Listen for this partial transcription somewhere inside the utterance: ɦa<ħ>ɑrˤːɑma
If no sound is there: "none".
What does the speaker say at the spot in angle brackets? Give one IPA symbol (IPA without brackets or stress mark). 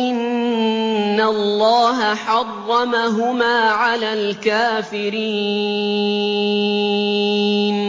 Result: ħ